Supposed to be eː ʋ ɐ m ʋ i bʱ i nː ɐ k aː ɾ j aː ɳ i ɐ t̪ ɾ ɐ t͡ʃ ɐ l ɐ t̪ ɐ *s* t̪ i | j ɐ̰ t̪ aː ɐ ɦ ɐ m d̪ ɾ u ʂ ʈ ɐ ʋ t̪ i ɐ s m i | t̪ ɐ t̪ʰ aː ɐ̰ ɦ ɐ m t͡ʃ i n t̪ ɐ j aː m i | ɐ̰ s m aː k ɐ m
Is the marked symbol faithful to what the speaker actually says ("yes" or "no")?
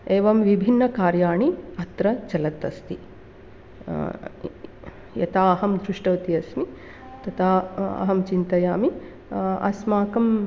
yes